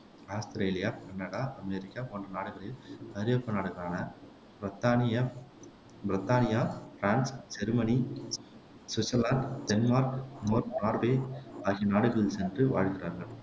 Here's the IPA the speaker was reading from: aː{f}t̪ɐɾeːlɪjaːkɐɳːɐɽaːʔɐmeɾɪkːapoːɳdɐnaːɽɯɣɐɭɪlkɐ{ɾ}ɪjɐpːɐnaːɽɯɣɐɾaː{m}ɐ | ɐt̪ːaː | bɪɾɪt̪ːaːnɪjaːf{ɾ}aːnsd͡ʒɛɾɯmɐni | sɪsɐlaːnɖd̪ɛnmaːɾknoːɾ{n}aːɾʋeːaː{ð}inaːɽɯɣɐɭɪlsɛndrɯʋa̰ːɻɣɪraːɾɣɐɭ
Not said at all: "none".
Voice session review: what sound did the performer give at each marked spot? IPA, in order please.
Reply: s, ɾ, n, ɾ, n, ɣ

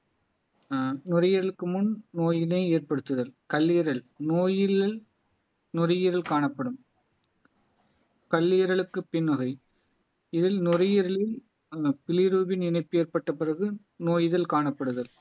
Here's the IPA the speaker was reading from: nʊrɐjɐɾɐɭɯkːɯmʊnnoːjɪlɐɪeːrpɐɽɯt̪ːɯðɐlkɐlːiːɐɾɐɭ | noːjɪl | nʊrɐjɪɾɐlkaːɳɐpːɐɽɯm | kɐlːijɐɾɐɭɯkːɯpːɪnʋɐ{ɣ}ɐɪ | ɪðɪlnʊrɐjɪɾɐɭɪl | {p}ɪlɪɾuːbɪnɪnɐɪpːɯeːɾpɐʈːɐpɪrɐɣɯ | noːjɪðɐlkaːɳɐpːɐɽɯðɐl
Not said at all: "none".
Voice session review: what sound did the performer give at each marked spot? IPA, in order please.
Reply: ɣ, p

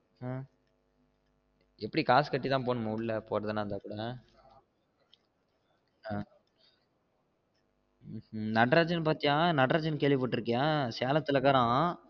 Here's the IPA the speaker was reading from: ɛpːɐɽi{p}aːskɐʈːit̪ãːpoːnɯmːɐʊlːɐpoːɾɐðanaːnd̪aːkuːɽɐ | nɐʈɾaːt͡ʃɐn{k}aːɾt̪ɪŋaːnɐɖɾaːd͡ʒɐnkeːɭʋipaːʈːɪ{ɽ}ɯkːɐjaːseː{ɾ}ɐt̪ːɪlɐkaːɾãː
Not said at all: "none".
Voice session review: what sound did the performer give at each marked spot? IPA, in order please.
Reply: k, p, ɾ, l

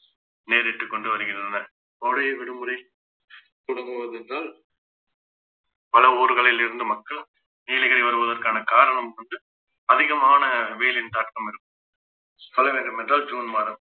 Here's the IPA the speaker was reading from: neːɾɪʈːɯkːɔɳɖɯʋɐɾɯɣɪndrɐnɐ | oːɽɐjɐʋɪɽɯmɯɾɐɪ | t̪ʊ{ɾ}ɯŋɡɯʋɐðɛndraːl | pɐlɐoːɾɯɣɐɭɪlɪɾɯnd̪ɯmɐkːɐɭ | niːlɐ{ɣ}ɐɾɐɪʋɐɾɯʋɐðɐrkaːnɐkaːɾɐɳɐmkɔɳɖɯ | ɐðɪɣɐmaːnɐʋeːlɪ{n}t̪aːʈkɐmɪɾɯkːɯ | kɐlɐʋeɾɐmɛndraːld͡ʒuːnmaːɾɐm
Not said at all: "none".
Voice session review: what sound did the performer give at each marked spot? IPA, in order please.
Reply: ɽ, ɣ, n

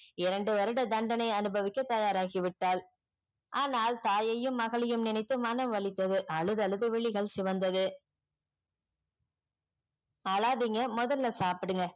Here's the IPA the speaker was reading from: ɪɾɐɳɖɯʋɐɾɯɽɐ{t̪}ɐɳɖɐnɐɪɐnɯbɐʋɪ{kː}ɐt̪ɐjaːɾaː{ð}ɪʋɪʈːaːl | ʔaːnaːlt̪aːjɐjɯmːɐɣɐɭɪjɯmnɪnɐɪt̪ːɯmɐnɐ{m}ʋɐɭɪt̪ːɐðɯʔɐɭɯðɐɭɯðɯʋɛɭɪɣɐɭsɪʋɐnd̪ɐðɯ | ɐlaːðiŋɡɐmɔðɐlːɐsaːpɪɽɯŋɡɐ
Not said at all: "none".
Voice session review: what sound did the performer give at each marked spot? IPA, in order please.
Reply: d̪, kː, ɣ, m

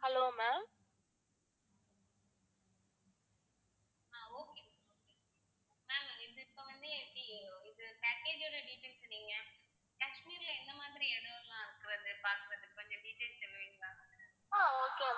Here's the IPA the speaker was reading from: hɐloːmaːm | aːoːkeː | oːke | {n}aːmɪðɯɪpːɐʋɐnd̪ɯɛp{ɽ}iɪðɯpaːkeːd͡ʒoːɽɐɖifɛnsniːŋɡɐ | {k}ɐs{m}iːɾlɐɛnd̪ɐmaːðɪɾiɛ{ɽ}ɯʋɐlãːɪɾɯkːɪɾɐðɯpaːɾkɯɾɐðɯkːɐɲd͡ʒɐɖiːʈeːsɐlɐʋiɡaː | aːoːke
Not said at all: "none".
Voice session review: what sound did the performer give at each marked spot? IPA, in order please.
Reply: m, ɽ, k, m, ɽ

